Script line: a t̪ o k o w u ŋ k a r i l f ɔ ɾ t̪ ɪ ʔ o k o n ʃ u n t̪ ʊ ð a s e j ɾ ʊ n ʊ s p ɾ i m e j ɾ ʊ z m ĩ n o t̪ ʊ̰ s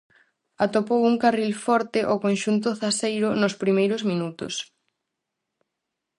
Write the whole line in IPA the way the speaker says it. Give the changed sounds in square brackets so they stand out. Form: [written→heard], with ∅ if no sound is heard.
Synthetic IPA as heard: a t̪ o [k→p] o w u ŋ k a r i l f ɔ ɾ t̪ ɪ ʔ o k o n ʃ u n t̪ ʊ [ð→θ] a s e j ɾ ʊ n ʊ s p ɾ i m e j ɾ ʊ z m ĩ n [o→u] t̪ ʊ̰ s